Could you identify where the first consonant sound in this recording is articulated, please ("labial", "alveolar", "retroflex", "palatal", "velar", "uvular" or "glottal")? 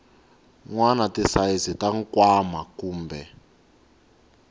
velar